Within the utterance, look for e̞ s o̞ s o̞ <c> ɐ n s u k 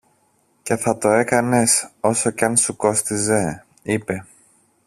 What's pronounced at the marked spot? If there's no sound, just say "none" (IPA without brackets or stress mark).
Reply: c